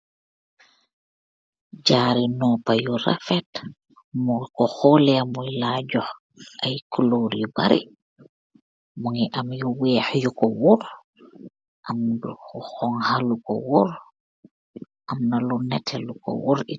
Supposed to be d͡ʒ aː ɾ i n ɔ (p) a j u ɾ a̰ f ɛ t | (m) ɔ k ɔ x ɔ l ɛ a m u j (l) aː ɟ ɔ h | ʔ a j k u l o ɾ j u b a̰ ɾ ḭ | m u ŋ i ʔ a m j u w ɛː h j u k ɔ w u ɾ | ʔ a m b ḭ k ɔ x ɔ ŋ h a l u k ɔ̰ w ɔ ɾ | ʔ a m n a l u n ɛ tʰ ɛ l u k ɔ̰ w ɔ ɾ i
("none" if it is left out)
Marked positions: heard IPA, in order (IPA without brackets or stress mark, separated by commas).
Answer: p, m, l